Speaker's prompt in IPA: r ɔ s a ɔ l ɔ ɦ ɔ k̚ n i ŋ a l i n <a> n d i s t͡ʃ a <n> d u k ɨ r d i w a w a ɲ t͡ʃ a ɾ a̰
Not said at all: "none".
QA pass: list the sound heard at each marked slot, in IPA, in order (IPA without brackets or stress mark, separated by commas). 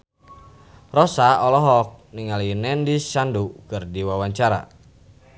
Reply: ɛ, n